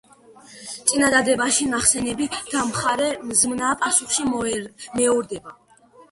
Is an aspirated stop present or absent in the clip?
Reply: absent